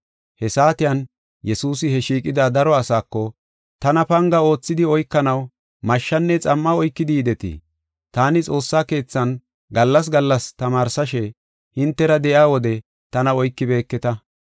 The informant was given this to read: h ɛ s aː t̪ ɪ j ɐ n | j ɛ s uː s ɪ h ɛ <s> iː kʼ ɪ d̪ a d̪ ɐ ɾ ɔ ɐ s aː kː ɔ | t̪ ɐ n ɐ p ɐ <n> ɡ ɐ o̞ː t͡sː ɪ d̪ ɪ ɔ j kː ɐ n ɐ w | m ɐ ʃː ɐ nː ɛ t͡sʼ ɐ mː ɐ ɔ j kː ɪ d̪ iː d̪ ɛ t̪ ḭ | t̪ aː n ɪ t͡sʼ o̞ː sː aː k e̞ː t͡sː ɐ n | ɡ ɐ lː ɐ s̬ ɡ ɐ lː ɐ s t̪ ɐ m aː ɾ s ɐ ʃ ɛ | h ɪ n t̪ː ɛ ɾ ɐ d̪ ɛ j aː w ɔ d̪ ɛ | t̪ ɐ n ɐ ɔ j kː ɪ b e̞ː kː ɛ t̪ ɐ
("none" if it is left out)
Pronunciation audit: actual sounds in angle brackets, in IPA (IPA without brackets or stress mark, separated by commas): ʃ, ŋ